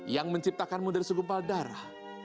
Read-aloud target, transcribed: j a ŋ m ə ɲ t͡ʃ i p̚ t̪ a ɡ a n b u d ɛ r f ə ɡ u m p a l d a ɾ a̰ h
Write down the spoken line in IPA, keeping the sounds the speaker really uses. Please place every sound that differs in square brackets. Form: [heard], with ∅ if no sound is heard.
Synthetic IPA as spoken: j a ŋ m ə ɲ t͡ʃ i p̚ t̪ a [k] a n [m] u d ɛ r [s] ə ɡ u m p a l d a ɾ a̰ h